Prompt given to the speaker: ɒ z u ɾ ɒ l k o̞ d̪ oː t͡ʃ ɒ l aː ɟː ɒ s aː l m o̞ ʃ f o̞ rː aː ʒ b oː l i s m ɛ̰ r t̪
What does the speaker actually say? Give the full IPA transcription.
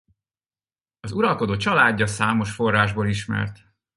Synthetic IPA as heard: ɒ z u ɾ ɒ l k o̞ d̪ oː t͡ʃ ɒ l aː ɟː ɒ s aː m o̞ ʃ f o̞ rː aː ʒ b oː l i ʃ m ɛ̰ r t̪